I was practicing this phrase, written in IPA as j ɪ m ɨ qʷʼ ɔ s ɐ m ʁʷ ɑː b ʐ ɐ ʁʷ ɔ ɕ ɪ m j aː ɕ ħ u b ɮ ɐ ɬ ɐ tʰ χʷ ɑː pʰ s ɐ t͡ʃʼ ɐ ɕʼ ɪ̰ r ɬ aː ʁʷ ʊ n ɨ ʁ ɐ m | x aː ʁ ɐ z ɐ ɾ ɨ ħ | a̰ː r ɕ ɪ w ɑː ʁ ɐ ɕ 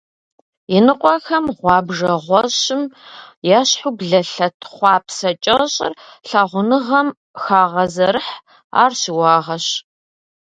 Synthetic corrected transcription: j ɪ n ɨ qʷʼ ɔ x ɐ m ʁʷ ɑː b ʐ ɐ ʁʷ ɔ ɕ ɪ m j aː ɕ ħ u b ɮ ɐ ɬ ɐ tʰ χʷ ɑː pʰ s ɐ t͡ʃʼ ɐ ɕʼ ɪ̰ r ɬ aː ʁʷ ʊ n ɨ ʁ ɐ m | x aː ʁ ɐ z ɐ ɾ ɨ ħ | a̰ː r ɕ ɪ w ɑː ʁ ɐ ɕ